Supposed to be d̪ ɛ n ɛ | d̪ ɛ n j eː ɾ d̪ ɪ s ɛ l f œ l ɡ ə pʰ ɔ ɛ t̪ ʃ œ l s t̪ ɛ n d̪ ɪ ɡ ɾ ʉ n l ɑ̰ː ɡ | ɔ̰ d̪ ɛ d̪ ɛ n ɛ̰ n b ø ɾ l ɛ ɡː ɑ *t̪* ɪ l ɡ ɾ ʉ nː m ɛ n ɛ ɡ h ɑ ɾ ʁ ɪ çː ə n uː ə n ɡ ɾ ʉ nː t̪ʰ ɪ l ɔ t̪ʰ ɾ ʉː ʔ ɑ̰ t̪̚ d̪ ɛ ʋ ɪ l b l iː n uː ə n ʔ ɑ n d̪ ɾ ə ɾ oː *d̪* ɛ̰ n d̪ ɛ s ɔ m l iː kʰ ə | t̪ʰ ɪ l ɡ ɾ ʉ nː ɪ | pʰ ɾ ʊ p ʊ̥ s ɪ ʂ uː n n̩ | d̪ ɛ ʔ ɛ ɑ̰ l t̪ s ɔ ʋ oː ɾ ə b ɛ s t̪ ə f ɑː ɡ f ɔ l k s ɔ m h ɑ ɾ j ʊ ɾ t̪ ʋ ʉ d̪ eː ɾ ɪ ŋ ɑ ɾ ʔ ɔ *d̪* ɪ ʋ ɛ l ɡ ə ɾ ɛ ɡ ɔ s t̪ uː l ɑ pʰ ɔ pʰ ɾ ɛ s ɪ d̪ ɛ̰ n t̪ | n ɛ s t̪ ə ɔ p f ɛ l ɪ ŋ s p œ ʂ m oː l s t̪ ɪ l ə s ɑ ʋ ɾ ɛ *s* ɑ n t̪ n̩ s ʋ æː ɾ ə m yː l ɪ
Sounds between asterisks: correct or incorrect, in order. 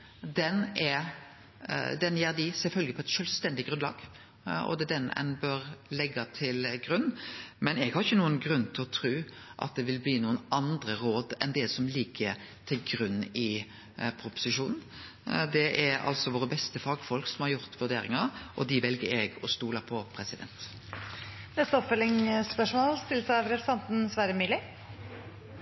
incorrect: t̪ʰ, correct, correct, correct

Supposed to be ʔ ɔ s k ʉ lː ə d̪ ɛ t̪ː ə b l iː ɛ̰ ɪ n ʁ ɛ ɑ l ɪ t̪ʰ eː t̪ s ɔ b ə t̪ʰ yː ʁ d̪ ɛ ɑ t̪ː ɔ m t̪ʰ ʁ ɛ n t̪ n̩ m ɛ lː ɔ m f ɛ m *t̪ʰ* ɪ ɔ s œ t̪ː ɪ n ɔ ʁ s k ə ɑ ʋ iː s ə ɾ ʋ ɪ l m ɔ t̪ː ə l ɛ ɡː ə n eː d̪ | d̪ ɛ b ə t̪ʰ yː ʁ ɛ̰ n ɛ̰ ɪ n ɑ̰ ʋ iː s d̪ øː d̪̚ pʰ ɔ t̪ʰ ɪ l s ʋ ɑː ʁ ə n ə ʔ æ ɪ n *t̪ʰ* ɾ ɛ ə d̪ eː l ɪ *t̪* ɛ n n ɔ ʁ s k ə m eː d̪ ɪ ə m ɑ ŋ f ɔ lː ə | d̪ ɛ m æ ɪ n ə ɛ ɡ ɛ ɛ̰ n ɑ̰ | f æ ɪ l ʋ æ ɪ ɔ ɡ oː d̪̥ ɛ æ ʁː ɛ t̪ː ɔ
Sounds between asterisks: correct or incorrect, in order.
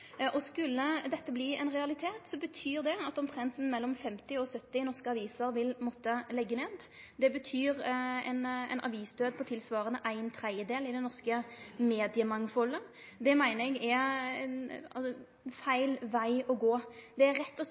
incorrect: t̪, correct, incorrect: d̪

